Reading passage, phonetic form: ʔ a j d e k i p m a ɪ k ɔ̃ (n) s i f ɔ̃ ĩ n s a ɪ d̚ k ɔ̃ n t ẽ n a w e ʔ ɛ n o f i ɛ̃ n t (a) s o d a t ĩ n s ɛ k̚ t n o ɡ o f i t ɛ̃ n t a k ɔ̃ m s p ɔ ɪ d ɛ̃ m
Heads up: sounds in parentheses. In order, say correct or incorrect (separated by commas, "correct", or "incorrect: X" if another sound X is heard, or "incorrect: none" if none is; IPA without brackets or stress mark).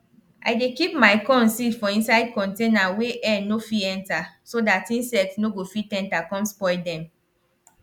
correct, correct